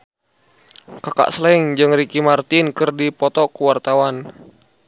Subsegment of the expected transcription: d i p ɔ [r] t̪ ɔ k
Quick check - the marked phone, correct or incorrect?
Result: incorrect